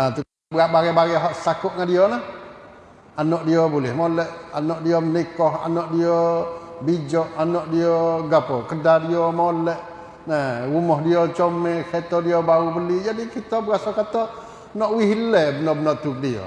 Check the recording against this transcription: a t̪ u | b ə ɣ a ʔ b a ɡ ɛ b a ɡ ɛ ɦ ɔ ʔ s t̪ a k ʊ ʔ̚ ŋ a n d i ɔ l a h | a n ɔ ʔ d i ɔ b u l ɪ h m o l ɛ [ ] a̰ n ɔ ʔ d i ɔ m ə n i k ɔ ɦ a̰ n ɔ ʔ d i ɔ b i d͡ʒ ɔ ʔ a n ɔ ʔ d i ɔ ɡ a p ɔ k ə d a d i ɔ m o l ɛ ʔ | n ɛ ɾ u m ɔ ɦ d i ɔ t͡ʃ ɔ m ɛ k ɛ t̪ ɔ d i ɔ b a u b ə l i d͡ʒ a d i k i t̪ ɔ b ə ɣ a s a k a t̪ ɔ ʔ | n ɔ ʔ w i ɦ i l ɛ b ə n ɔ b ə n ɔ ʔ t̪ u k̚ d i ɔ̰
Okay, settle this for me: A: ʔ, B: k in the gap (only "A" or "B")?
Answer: A